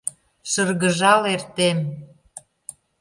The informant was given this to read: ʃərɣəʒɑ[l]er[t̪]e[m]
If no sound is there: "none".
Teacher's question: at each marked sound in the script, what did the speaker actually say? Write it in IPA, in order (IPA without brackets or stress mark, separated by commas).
l, t̪, m